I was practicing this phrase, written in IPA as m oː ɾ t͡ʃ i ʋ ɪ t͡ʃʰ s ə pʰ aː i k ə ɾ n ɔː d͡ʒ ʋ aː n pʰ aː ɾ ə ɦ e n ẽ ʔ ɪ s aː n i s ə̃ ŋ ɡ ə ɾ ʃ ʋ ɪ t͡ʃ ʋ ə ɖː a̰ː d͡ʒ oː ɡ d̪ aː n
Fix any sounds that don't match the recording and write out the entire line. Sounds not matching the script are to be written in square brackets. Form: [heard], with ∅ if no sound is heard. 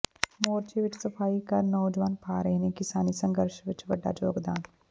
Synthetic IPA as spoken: m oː ɾ t͡ʃ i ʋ ɪ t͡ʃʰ s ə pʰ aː i k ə ɾ n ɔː d͡ʒ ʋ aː n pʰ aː ɾ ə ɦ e n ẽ [k] ɪ s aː n i s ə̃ ŋ ɡ ə ɾ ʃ ʋ ɪ t͡ʃ ʋ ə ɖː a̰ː d͡ʒ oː ɡ d̪ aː n